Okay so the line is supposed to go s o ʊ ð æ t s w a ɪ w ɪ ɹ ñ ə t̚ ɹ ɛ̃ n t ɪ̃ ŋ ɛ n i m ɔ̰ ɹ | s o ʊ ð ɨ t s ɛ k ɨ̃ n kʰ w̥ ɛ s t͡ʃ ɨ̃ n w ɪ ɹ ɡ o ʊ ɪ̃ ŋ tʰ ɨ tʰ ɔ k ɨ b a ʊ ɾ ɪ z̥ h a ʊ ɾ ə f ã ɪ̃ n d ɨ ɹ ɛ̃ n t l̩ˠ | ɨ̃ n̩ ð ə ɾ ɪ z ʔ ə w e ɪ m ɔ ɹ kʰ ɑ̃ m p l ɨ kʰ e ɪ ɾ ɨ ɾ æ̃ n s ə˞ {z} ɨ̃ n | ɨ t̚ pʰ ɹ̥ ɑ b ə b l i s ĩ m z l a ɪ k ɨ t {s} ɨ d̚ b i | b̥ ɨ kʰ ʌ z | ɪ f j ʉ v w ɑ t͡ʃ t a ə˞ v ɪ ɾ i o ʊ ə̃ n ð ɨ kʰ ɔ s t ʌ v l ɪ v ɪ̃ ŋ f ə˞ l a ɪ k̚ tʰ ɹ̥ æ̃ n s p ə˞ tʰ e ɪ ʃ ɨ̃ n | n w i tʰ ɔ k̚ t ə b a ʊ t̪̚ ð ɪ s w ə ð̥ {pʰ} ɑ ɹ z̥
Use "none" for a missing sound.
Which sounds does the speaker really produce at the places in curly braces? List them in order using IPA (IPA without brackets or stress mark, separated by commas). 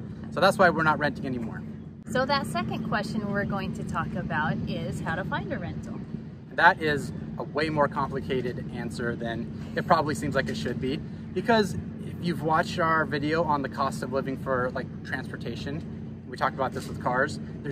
ð, ʃ, kʰ